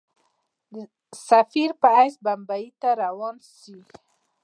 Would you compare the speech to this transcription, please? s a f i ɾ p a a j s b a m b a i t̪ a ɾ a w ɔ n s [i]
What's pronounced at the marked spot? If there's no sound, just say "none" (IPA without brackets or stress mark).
i